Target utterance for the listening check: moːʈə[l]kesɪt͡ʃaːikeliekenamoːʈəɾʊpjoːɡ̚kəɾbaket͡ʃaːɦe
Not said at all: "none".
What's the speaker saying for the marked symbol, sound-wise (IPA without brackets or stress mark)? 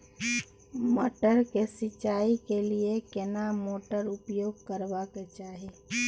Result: ɾ